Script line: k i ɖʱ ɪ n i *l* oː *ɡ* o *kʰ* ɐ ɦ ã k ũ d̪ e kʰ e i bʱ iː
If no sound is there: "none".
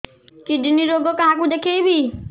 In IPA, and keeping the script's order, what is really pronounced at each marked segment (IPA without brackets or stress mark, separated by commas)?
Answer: ɾ, ɡ, k